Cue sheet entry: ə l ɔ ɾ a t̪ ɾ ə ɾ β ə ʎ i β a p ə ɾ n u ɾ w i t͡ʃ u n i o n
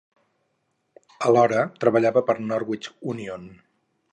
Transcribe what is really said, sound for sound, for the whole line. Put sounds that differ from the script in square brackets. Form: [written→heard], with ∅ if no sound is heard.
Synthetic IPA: ə l ɔ ɾ [a→ə] t̪ ɾ ə [ɾ→∅] β ə ʎ [i→a] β [a→ə] p ə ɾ n [u→ɔ] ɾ w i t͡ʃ u n i o n